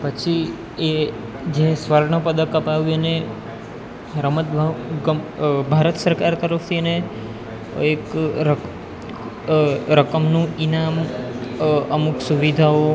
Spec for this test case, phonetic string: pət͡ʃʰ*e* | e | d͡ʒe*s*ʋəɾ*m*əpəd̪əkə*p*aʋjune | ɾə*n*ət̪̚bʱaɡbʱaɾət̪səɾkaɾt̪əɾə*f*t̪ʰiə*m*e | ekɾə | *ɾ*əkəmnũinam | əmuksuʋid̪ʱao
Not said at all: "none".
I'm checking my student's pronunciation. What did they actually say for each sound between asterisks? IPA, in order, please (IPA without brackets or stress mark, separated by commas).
i, s, ɳ, p, m, f, n, ɾ